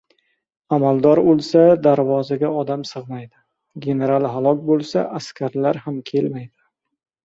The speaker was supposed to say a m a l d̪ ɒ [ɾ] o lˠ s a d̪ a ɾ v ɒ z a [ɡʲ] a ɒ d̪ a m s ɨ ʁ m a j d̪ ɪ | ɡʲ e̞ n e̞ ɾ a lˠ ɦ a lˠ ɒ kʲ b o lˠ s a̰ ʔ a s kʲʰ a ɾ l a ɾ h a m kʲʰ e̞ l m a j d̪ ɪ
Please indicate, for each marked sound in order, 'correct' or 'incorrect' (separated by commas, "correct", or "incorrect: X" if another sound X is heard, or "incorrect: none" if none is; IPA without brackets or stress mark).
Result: correct, correct